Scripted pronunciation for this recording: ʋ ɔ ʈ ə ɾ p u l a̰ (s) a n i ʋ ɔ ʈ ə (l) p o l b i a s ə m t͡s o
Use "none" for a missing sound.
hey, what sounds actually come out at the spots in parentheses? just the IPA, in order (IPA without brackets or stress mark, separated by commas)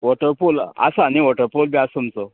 s, ɾ